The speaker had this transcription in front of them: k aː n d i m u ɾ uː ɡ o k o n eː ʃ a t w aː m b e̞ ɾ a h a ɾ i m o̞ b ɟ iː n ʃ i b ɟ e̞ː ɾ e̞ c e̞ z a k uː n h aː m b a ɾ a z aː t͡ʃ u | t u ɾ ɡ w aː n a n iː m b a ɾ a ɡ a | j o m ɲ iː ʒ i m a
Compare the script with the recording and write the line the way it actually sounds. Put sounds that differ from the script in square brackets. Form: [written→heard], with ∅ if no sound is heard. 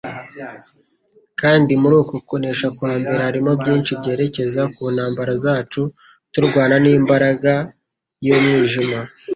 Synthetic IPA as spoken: k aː n d i m u ɾ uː [ɡ→k] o k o n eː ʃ a [t→k] w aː m b e̞ ɾ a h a ɾ i m o̞ b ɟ iː n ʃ i b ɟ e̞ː ɾ e̞ c e̞ z a k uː n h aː m b a ɾ a z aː t͡ʃ u | t u ɾ ɡ w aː n a n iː m b a ɾ a ɡ a | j o m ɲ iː ʒ i m a